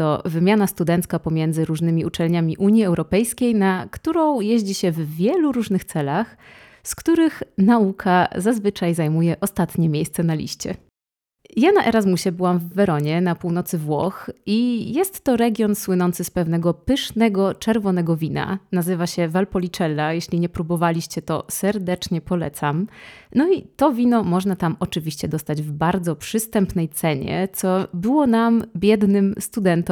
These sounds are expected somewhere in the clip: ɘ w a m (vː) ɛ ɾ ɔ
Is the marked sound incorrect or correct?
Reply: correct